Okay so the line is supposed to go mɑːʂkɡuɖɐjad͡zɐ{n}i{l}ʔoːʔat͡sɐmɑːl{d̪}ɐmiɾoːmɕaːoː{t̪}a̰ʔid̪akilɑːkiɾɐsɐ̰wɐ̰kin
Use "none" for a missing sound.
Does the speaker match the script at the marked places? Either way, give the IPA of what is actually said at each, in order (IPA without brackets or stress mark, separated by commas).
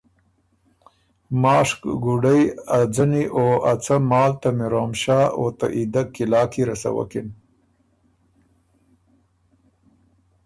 n, none, t̪, t̪